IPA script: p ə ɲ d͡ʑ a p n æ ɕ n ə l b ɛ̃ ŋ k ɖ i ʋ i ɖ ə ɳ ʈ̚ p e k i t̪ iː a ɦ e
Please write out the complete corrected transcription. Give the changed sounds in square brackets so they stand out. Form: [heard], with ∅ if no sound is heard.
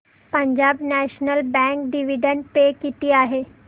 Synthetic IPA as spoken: p ə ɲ d͡ʑ a [b] n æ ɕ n ə l b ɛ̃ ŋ k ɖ i ʋ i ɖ ə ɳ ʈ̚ p e k i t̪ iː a ɦ e